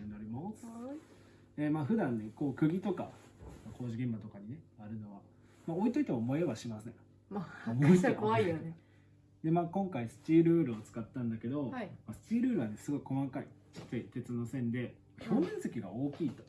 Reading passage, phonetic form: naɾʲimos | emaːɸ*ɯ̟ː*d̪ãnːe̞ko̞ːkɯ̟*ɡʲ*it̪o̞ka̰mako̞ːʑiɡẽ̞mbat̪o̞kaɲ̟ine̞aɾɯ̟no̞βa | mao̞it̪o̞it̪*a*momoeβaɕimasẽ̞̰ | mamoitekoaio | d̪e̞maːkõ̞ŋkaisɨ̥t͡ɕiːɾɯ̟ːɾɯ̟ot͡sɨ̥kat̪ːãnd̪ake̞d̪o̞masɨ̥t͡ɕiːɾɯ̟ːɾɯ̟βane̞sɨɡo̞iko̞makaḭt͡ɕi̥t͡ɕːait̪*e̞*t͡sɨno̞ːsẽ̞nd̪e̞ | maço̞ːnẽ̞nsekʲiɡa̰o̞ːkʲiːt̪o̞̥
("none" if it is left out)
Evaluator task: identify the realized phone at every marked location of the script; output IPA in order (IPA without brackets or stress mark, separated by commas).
ɯ̟, ɡʲ, e, e̞